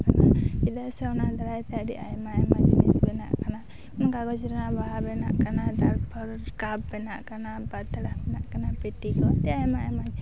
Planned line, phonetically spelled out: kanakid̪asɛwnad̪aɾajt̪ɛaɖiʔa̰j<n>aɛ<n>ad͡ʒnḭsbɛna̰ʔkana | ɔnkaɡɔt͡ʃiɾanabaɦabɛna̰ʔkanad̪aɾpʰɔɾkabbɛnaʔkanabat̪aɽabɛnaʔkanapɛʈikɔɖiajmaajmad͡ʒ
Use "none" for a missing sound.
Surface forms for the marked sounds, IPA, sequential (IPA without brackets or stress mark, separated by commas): m, m